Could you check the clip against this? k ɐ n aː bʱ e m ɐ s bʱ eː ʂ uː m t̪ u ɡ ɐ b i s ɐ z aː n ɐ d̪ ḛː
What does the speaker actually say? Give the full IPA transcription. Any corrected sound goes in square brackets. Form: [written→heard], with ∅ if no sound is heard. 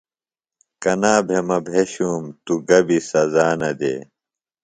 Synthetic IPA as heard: k ɐ n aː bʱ e m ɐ [s→∅] bʱ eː [ʂ→ɕ] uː m t̪ u ɡ ɐ b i s ɐ z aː n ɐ d̪ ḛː